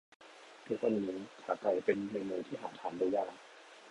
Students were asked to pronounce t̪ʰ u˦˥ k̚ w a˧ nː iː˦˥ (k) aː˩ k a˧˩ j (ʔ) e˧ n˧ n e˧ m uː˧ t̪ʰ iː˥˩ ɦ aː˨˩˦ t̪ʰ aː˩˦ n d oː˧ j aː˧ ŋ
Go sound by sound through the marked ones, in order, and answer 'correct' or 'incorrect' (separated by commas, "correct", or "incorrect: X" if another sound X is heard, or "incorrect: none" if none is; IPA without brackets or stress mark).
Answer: incorrect: kʰ, incorrect: p